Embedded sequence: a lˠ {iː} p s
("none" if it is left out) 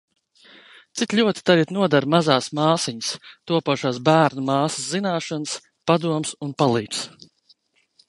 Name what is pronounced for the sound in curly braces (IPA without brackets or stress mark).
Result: iː